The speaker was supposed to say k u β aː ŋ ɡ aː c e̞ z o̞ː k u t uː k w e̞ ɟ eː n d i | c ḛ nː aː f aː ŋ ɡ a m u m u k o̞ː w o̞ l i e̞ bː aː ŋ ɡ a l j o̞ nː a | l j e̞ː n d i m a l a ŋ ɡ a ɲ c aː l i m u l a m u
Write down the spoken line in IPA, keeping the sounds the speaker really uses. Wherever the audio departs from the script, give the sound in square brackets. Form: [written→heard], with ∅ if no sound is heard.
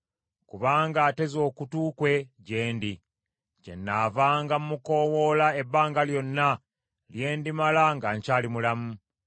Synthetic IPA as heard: k u β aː ŋ ɡ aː [c→t] e̞ z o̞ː k u t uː k w e̞ ɟ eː n d i | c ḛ nː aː [f→v] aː ŋ ɡ a m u m u k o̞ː w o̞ l [i→a] e̞ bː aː ŋ ɡ a l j o̞ nː a | l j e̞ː n d i m a l a ŋ ɡ a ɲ c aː l i m u l a m u

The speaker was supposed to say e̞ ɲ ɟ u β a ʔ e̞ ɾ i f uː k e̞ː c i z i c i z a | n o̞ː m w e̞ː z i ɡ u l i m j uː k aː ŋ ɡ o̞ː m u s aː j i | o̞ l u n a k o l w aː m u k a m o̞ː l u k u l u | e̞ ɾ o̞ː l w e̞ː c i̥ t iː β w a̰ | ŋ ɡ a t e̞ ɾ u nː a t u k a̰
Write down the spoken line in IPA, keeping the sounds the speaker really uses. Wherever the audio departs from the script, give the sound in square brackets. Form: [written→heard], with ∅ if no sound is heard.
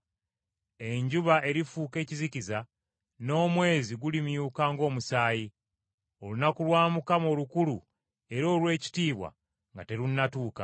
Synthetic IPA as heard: e̞ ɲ ɟ u β a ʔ e̞ ɾ i f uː k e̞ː c i z i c i z a | n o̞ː m w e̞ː z i ɡ u l i m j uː k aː ŋ ɡ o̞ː m u s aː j i | o̞ l u n a k [o→u] l w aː m u k a m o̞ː l u k u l u | e̞ ɾ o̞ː l w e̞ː c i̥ t iː β w a̰ | ŋ ɡ a t e̞ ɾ u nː a t [u→uː] k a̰

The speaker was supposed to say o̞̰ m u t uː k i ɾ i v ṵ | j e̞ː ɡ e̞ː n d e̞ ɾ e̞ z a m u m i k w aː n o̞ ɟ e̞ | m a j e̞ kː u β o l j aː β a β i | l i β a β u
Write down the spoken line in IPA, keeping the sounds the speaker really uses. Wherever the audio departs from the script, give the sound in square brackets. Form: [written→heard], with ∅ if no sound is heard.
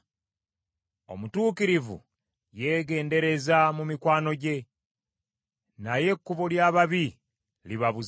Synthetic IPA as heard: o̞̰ m u t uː k i ɾ i v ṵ | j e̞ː ɡ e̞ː n d e̞ ɾ e̞ z a m u m i k w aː n o̞ ɟ e̞ | [m→n] a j e̞ kː u β o l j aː β a β i | l i β a β u

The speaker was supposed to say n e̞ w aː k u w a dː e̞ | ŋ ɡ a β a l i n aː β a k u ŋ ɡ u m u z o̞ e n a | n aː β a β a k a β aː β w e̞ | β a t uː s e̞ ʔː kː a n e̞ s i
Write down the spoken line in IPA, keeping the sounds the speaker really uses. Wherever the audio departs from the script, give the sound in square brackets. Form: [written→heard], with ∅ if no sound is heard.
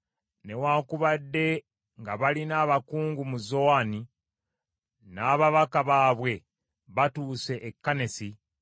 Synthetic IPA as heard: n e̞ w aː k u [w→β] a dː e̞ | ŋ ɡ a β a l i n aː β a k [u→uː] ŋ ɡ u m u z o̞ [e→a] n [a→i] | n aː β a β a k a β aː β w e̞ | β a t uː s e̞ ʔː kː a n e̞ s i

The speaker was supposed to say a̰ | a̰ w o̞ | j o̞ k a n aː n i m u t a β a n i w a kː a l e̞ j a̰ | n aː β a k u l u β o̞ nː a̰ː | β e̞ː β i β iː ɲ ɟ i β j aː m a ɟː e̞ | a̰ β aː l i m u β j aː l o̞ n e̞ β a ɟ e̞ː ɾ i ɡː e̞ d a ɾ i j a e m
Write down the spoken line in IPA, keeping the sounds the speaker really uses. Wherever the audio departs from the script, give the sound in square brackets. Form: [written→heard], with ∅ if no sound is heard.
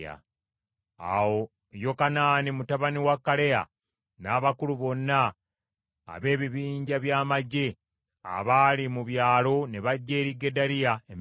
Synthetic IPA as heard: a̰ | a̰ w o̞ | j o̞ k a n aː n i m u t a β a n i w a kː a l e̞ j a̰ | n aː β a k u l u β o̞ nː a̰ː | β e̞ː β i β iː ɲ ɟ [i→a] β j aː m a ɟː e̞ | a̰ β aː l i m u β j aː l o̞ n e̞ β a [ɟ→ɟː] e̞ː ɾ i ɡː e̞ d a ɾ i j a e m

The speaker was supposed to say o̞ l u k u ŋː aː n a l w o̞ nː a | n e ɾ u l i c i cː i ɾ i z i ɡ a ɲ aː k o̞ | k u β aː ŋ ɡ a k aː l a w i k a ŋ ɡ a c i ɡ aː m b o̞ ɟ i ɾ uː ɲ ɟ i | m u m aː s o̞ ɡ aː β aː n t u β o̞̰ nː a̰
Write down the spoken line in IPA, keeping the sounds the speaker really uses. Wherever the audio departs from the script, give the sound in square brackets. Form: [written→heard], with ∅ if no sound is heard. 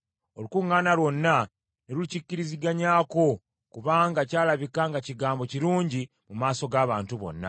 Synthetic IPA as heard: o̞ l u k u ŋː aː n a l w o̞ nː a | n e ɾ u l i c i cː i ɾ i z i ɡ a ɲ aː k o̞ | k u β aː ŋ ɡ a [k→c] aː l a [w→β] i k a ŋ ɡ a c i ɡ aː m b o̞ [ɟ→c] i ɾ uː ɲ ɟ i | m u m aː s o̞ ɡ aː β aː n t u β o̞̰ nː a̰

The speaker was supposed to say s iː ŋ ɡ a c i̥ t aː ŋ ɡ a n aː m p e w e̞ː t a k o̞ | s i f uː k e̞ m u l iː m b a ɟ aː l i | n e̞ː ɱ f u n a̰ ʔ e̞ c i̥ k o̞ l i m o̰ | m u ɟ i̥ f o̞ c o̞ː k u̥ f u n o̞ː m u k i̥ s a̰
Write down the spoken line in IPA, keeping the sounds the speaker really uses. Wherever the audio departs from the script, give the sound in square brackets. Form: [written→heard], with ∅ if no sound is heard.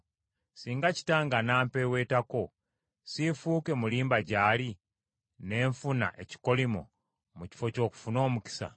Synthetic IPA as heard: s iː ŋ ɡ a c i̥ t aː ŋ ɡ a n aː m p e w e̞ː t a k o̞ | s i f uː k e̞ m u l iː m b a ɟ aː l i | n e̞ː ɱ f u n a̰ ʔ e̞ c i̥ k o̞ l i m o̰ | m u [ɟ→c] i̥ f o̞ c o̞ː k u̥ f u n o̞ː m u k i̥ s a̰

